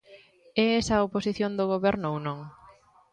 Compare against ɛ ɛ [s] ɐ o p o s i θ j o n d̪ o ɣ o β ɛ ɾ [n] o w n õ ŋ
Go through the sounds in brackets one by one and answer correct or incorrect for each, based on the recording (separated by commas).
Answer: correct, correct